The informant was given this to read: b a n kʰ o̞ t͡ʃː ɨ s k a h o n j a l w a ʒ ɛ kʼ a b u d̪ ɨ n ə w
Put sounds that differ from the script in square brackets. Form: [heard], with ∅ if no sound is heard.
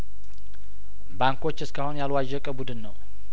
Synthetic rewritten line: b a [ŋ] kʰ o̞ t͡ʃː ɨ s k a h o n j a l w a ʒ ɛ kʼ [ə] b u d̪ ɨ [nː] ə w